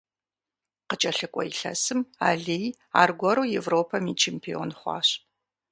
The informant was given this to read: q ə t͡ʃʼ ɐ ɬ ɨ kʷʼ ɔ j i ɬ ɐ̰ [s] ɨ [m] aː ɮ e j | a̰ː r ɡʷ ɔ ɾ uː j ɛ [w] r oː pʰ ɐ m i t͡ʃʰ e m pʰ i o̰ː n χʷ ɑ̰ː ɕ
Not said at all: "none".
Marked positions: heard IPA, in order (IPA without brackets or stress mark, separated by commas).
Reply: s, m, v